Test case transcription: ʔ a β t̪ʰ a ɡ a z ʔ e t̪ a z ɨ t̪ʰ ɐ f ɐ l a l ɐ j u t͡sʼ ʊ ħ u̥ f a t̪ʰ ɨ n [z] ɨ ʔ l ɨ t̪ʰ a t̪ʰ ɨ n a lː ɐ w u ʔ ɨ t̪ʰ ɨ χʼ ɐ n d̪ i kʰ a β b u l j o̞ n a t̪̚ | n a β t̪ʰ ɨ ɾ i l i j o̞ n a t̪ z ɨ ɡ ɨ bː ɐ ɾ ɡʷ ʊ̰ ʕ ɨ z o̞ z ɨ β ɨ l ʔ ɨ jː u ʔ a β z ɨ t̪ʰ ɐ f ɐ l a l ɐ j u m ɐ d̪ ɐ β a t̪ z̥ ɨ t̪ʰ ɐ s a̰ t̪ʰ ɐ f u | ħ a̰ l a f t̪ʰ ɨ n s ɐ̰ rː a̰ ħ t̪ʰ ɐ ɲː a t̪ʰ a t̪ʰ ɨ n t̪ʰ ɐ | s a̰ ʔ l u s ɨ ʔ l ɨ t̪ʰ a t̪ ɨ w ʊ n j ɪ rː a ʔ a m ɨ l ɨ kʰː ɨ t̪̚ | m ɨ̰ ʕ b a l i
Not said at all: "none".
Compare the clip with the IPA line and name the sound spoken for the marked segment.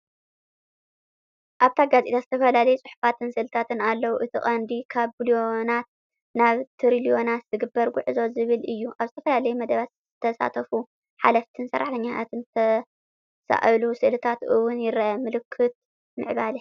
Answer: s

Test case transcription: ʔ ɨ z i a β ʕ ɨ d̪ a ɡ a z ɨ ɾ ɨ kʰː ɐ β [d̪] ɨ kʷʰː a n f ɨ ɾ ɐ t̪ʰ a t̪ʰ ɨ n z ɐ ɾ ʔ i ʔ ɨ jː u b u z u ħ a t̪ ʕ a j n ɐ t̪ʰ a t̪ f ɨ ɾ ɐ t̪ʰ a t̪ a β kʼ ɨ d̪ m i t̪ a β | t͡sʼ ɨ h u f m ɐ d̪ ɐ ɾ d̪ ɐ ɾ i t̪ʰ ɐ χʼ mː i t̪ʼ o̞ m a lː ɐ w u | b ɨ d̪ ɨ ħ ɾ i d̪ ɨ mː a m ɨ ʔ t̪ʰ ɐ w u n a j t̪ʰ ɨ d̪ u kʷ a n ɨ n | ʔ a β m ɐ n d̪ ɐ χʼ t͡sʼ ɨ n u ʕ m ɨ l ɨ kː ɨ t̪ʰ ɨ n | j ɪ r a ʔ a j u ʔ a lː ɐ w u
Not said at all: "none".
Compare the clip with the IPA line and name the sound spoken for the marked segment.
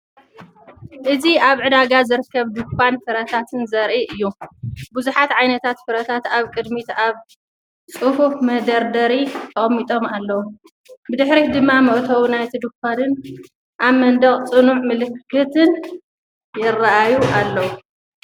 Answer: d̪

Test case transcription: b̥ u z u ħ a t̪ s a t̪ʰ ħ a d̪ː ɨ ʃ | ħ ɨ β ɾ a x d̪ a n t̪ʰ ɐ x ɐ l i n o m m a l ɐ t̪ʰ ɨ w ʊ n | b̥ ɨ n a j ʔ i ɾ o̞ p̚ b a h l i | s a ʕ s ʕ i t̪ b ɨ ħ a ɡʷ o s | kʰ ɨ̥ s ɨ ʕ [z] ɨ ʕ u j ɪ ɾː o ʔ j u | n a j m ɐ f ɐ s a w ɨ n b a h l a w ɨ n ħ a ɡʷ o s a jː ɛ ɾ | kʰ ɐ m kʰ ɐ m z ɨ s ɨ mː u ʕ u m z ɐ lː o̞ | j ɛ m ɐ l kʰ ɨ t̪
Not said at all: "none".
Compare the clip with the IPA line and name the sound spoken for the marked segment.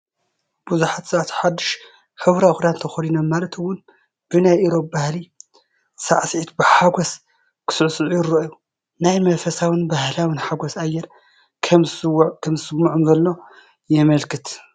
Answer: s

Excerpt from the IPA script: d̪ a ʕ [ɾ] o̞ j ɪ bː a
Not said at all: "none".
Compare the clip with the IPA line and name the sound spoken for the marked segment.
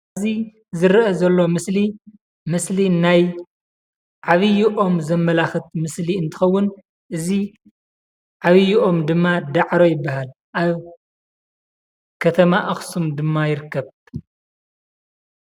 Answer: ɾ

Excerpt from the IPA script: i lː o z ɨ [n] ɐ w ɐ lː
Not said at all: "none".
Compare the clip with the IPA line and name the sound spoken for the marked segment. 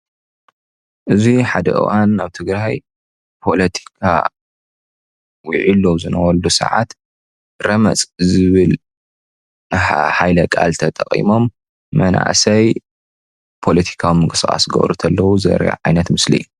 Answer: n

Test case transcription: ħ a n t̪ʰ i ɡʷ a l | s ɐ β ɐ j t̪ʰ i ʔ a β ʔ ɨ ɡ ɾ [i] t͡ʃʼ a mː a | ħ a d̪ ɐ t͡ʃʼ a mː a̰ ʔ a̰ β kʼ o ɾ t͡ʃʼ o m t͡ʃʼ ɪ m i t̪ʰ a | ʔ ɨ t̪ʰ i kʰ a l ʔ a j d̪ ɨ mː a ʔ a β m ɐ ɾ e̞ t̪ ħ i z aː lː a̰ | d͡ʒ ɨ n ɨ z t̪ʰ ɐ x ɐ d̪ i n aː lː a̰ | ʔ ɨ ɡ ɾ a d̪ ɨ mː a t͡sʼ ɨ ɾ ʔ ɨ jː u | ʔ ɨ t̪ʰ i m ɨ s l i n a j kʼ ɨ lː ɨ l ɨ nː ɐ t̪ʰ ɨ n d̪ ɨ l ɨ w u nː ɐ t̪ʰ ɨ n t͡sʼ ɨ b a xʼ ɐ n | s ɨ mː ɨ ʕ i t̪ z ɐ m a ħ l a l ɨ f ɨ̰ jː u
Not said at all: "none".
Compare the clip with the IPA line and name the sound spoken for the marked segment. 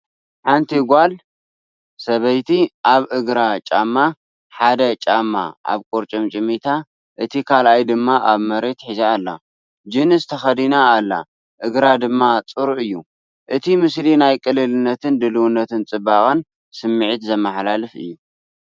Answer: a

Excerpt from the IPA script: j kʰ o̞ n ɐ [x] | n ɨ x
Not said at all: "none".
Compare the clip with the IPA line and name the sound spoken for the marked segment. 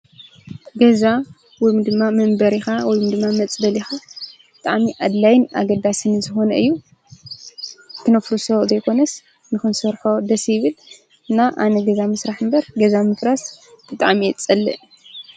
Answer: s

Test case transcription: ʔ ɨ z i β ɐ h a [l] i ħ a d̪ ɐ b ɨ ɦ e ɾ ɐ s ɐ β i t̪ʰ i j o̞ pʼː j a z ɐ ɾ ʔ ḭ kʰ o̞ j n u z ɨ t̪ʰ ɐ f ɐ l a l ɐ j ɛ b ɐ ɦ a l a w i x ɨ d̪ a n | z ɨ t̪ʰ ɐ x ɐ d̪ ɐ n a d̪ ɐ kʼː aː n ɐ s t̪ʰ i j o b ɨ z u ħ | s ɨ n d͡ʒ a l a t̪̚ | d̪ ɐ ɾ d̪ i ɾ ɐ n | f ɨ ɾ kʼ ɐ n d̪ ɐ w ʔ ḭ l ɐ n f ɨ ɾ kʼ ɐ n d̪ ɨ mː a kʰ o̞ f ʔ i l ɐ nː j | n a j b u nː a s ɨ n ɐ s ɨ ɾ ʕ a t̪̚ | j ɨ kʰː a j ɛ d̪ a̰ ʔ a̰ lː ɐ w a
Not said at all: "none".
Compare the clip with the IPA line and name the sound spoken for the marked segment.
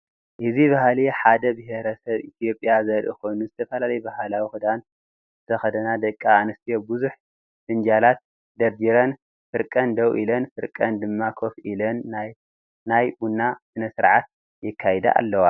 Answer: l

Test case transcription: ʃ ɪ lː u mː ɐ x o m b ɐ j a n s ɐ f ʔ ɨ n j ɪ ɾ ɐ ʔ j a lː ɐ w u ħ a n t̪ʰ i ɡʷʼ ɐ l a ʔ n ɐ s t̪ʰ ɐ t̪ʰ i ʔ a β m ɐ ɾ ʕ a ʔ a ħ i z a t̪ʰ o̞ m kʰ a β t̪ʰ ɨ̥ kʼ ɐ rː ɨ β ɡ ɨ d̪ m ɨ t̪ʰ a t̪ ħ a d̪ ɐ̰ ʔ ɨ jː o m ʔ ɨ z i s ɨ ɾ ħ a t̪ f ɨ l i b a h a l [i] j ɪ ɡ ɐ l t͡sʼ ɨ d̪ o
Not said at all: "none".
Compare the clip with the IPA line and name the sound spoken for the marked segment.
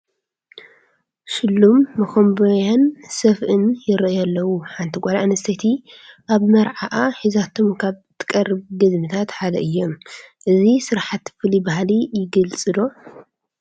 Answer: i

